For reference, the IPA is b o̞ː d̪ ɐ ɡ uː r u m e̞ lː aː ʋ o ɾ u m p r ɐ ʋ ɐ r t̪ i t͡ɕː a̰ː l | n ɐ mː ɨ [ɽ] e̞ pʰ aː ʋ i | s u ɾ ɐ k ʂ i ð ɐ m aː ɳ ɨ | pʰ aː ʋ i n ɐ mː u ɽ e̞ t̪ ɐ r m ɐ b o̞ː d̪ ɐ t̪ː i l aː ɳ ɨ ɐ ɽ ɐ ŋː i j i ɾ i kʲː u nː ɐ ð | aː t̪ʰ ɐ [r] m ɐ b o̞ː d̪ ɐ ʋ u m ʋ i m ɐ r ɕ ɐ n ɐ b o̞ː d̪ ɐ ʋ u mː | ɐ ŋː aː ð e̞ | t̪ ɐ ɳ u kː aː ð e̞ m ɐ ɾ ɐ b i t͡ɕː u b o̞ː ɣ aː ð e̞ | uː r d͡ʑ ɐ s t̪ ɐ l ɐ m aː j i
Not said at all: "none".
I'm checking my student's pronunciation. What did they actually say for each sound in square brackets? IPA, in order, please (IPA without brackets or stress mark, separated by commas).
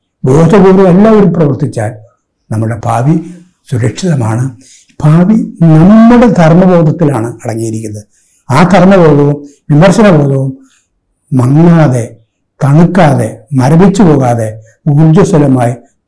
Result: ɽ, r